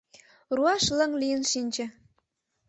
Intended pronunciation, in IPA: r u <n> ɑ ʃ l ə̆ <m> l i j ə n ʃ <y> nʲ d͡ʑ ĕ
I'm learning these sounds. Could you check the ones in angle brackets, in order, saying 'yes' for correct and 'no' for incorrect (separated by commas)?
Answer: no, no, no